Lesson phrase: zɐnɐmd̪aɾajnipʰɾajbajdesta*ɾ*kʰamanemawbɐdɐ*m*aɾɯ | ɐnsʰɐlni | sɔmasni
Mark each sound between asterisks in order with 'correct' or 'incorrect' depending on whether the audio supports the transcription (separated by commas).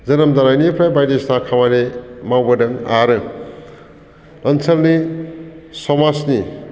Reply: incorrect, incorrect